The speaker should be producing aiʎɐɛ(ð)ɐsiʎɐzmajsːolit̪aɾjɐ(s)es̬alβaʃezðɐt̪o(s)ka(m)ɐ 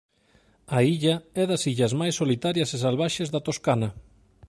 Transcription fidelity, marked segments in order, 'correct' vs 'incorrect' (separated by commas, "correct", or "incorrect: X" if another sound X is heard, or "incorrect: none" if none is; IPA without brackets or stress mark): correct, correct, correct, incorrect: n